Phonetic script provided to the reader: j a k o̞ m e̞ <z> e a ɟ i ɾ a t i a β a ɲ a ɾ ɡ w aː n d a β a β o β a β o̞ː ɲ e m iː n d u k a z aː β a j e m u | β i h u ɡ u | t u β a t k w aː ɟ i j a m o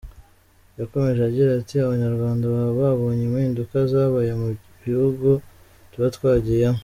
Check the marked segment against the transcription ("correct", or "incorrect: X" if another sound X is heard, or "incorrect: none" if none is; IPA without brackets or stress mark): incorrect: ʒ